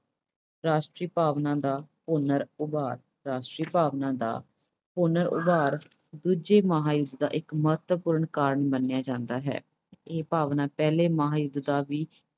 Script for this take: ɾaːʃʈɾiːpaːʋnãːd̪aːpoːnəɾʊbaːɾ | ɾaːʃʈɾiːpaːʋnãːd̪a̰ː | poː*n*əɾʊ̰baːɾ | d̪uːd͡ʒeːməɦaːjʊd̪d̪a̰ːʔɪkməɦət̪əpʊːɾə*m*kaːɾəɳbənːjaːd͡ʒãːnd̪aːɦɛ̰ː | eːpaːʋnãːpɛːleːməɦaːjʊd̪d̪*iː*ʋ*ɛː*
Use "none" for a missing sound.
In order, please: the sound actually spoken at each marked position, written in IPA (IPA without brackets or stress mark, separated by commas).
n, ɳ, aː, iː